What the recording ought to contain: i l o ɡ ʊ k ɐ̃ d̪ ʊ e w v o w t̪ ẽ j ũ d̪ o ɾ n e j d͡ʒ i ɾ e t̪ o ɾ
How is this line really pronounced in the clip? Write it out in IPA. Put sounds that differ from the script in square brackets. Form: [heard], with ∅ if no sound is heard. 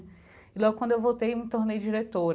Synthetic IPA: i l [ɔ] ɡ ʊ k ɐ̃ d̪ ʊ e w v o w t̪ [e] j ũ [t̪] o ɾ n e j d͡ʒ i ɾ e t̪ o ɾ